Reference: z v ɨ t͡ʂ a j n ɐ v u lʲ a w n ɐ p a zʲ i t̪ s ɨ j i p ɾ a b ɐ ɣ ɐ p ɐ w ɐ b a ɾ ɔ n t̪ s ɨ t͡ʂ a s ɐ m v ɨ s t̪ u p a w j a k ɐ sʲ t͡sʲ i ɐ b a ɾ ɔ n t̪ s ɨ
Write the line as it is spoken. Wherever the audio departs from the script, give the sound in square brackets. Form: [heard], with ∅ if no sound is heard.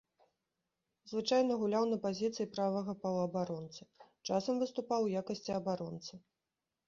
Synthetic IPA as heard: z v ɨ t͡ʂ a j n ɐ [ɣ] u lʲ a w n ɐ p a zʲ i t̪ s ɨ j i p ɾ a [v] ɐ ɣ ɐ p ɐ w ɐ b a ɾ ɔ n t̪ s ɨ t͡ʂ a s ɐ m v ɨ s t̪ u p a w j a k ɐ sʲ t͡sʲ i ɐ b a ɾ ɔ n t̪ s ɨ